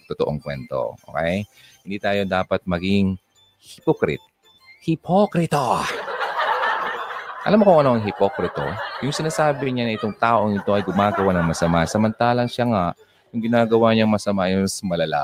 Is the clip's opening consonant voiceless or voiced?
voiceless